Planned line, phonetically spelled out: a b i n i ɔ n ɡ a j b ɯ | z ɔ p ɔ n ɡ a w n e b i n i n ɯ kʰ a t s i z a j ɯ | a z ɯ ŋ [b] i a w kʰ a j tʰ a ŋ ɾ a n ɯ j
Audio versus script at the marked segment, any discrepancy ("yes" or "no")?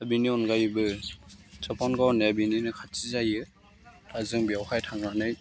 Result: no